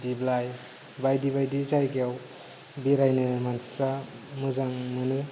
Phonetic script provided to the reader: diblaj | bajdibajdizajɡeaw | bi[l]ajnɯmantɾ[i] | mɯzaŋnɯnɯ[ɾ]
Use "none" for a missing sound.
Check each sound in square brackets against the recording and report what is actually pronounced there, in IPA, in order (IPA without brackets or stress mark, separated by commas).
ɾ, a, none